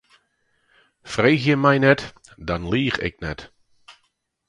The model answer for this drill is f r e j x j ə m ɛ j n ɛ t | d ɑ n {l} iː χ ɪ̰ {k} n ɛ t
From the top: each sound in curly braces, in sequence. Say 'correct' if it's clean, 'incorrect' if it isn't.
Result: correct, correct

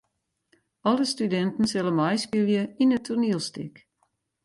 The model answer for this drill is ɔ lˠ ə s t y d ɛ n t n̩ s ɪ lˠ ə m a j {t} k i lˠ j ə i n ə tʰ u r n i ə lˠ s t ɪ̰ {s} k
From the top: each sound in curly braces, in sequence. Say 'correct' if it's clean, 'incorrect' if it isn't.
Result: incorrect: s, incorrect: none

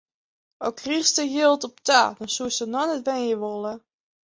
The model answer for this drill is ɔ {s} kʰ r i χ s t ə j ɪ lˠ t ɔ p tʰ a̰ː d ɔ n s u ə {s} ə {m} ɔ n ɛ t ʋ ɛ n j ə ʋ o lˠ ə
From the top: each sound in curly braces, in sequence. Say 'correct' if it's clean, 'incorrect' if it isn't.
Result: incorrect: none, correct, incorrect: n

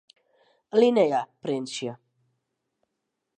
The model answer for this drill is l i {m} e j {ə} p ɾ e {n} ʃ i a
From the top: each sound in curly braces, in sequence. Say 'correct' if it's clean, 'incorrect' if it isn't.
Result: incorrect: n, incorrect: a, correct

